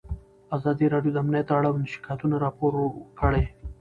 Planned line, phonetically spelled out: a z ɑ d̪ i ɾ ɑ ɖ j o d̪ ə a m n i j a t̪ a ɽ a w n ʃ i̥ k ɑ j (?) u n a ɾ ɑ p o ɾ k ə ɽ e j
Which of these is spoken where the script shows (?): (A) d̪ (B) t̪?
B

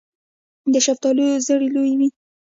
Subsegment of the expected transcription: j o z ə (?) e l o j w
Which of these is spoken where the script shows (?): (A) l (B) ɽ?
B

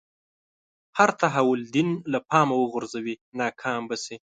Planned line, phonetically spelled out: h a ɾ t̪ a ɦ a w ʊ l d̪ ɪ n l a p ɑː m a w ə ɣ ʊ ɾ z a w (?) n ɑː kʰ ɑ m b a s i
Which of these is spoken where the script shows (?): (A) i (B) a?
A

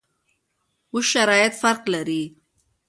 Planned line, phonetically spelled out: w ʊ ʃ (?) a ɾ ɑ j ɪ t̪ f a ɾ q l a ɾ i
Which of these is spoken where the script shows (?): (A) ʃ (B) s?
A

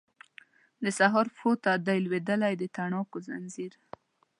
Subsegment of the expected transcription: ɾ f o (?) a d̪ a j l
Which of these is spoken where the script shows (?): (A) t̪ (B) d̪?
A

